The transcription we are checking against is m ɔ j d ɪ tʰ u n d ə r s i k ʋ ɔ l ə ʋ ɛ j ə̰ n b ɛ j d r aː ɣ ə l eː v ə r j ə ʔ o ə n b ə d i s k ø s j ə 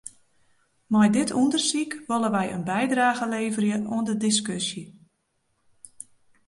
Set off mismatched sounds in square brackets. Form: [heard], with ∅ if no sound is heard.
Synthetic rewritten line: m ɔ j d ɪ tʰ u n d ə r s i k ʋ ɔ l ə ʋ ɛ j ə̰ n b ɛ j d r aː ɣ ə l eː v ə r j ə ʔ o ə n [d] ə d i s k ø s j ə